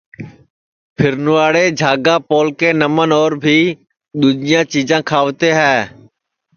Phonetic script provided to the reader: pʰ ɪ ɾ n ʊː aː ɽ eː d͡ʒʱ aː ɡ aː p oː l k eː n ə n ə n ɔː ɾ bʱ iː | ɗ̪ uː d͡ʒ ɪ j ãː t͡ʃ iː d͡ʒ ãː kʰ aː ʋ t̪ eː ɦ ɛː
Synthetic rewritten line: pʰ ɪ ɾ n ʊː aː ɽ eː d͡ʒʱ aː ɡ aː p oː l k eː n ə m ə n ɔː ɾ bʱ iː | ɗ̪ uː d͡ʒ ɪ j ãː t͡ʃ iː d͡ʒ ãː kʰ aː ʋ t̪ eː ɦ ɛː